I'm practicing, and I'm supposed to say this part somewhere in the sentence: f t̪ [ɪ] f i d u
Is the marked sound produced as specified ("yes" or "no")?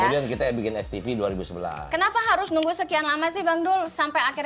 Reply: no